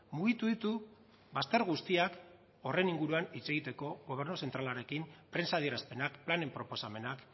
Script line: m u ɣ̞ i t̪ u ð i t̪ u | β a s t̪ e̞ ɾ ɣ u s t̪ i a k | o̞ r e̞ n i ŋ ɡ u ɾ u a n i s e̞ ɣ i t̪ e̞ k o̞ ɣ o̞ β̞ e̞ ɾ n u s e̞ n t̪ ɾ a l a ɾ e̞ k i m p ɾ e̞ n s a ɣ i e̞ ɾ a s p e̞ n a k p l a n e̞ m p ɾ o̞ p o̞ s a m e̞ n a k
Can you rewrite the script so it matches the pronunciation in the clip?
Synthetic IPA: m u ɣ̞ i t̪ u ð i t̪ u | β a s t̪ e̞ ɾ ɣ u s t̪ i a k | o̞ r e̞ n i ŋ ɡ u ɾ u a n i t͡s e̞ ɣ i t̪ e̞ k o̞ ɣ o̞ β̞ e̞ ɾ n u s e̞ n t̪ ɾ a l a ɾ e̞ k i m p ɾ e̞ n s a ð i e̞ ɾ a s p e̞ n a k p l a n e̞ m p ɾ o̞ p o̞ s a m e̞ n a k